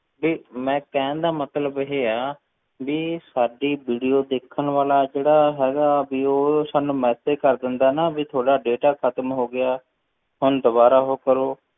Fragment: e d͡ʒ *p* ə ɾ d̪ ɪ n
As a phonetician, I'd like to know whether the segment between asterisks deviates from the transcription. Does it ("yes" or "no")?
yes